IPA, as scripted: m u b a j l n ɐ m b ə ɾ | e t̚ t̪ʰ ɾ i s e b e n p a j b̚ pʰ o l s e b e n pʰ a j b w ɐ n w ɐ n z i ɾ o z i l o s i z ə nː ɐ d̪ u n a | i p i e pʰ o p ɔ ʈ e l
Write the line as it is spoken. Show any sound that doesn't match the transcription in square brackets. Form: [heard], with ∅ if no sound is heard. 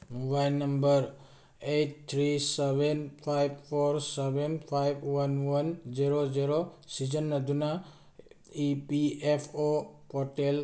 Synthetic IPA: m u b a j l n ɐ m b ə ɾ | e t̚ t̪ʰ ɾ i s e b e n [pʰ] a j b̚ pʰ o [ɾ] s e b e n pʰ a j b w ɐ n w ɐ n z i ɾ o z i [ɾ] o s i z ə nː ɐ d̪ u n a | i p i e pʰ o p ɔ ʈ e l